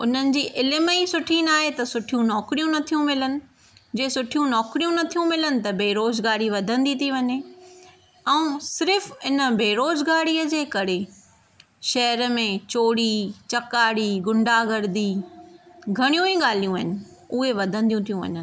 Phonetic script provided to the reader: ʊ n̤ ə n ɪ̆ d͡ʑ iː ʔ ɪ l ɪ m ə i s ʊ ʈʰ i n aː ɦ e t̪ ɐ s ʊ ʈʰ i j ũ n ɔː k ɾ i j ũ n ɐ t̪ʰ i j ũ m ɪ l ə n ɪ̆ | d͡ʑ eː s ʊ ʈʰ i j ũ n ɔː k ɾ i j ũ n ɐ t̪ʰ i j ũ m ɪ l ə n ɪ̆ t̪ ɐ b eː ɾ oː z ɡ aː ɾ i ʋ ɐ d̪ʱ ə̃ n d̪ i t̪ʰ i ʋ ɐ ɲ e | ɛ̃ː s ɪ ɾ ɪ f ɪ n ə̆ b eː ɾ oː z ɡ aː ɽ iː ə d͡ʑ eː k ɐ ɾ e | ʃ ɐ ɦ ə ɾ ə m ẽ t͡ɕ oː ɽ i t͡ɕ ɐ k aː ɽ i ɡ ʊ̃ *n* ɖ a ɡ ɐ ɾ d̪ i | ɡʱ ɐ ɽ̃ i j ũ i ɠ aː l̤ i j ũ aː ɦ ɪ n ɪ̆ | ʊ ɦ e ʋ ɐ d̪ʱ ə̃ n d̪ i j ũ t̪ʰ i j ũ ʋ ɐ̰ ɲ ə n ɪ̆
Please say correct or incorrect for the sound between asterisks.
incorrect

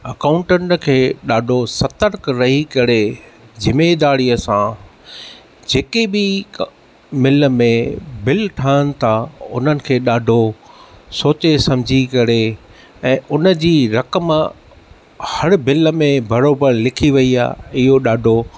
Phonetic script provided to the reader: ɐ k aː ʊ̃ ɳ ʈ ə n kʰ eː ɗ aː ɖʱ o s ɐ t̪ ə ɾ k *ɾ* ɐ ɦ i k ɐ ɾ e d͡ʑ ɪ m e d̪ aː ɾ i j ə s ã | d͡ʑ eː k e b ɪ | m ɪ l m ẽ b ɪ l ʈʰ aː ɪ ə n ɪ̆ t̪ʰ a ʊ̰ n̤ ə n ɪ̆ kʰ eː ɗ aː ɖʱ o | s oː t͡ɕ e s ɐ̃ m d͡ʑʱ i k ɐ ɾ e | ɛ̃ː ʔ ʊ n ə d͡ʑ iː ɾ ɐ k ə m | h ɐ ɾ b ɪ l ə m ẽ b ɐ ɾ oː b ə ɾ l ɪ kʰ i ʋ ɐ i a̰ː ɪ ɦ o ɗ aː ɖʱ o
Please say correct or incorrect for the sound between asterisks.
correct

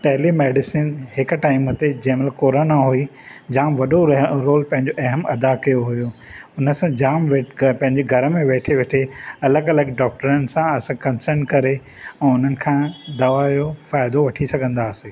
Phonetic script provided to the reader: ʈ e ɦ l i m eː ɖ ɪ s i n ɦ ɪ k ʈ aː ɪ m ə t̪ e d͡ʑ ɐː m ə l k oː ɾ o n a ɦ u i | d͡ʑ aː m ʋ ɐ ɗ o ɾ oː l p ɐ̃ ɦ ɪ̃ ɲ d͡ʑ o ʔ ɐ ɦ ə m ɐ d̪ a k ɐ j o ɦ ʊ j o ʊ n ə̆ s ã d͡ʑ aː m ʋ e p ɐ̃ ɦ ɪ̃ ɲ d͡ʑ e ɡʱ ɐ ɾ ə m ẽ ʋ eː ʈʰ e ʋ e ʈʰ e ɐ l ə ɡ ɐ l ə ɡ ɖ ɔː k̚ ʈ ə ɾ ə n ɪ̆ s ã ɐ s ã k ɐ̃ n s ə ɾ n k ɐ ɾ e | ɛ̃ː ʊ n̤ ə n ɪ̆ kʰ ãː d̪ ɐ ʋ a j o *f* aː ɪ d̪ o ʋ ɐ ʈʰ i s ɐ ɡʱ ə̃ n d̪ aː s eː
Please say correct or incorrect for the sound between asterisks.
correct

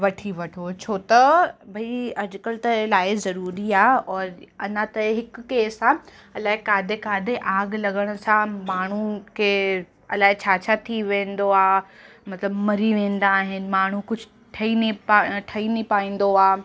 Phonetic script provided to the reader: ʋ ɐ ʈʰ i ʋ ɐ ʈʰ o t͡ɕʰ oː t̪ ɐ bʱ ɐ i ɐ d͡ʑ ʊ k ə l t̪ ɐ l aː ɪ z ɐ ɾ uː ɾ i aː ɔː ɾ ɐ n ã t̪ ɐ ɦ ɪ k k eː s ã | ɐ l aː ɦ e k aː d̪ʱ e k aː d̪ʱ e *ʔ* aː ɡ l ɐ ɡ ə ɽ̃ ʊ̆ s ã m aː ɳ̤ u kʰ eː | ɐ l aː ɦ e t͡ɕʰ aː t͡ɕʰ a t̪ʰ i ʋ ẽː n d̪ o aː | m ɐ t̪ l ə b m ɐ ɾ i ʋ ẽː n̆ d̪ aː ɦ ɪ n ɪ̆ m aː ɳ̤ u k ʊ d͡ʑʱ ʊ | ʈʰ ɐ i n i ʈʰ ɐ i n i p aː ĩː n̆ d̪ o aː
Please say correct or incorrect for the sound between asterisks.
correct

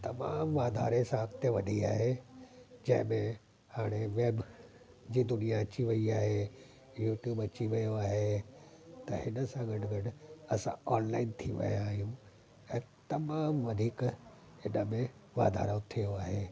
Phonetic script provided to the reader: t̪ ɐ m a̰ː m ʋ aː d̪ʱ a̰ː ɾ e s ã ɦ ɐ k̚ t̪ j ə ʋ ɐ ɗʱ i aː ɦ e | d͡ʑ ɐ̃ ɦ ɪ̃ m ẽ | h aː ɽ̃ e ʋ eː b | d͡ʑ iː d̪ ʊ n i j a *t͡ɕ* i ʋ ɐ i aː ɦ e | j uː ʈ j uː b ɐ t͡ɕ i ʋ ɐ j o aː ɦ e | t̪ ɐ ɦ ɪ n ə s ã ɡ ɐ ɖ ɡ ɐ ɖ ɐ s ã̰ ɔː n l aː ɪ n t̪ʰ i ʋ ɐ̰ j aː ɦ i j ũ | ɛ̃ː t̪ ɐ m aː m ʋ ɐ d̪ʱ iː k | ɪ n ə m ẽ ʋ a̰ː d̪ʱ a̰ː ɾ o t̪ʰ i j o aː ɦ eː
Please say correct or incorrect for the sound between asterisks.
correct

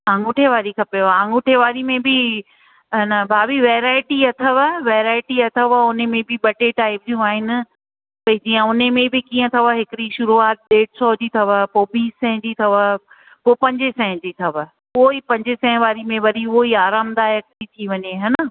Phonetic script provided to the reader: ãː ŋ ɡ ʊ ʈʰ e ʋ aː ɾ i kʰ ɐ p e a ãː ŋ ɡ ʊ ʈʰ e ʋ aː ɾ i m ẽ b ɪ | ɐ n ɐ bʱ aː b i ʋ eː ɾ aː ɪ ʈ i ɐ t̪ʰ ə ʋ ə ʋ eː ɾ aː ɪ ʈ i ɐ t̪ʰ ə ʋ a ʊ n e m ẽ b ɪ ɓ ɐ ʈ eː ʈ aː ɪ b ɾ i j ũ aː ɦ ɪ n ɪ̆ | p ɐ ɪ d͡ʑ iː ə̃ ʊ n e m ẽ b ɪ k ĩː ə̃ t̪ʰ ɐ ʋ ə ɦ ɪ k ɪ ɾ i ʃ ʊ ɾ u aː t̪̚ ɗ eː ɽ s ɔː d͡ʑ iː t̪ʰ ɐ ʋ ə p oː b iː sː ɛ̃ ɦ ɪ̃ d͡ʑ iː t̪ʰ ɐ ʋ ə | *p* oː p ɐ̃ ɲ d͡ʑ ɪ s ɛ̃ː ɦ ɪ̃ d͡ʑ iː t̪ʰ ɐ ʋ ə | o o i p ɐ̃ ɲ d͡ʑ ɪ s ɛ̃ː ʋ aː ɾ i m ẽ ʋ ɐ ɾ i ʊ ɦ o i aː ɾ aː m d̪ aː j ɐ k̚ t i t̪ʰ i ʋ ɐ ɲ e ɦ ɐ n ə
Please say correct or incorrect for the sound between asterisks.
correct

